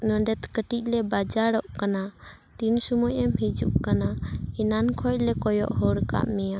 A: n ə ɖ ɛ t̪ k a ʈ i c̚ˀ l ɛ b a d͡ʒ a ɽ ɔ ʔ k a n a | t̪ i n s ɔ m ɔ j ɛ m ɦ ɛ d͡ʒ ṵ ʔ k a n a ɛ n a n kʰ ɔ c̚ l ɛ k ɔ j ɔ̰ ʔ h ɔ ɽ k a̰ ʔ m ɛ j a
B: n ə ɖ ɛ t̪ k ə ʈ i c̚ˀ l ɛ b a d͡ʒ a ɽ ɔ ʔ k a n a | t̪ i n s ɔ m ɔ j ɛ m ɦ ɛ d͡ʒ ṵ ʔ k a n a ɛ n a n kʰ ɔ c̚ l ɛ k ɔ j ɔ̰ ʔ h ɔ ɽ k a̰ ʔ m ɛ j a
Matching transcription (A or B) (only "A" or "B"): B